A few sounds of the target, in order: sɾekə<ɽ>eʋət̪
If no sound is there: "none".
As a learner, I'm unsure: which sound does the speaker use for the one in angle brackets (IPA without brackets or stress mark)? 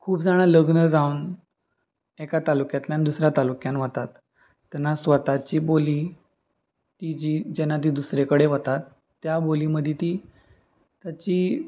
ɽ